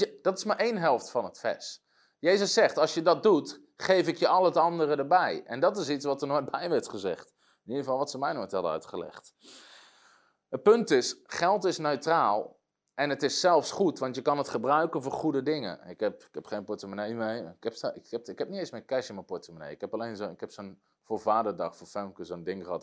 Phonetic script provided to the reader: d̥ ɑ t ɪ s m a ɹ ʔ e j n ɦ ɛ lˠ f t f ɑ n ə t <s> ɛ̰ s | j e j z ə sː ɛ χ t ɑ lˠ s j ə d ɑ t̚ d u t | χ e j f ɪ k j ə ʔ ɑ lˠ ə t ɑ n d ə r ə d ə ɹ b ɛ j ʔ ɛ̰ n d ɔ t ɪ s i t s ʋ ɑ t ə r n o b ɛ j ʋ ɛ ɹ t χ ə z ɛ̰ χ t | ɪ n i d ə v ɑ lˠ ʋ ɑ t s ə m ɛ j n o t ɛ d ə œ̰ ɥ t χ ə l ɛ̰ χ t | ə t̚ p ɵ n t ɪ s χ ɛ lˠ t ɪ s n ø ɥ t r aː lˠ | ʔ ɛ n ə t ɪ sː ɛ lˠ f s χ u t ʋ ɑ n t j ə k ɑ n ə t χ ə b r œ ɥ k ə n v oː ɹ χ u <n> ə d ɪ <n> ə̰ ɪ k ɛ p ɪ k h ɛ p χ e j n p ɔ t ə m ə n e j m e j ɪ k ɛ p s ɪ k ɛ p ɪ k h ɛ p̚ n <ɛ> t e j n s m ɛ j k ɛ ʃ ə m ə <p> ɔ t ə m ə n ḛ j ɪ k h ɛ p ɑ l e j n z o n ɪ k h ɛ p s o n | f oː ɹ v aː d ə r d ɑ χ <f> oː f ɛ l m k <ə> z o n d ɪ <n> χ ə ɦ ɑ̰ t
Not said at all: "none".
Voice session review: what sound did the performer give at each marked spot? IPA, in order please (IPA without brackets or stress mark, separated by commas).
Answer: f, d, ŋ, i, p, f, ə, ŋ